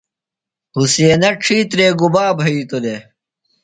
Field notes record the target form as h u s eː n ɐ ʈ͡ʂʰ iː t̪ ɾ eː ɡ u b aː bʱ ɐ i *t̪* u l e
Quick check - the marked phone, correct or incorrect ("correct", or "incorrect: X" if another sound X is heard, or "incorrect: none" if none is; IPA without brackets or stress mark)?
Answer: correct